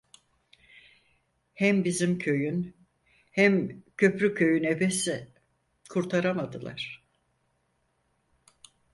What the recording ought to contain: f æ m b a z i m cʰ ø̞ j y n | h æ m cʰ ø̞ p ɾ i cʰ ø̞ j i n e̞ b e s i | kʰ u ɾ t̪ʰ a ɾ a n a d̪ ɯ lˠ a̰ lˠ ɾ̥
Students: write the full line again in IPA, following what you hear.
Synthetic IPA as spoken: h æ m b i z i m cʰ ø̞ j y n | h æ m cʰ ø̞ p ɾ y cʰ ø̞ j y n e̞ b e s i | kʰ u ɾ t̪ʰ a ɾ a m a d̪ ɯ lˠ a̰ ɾ̥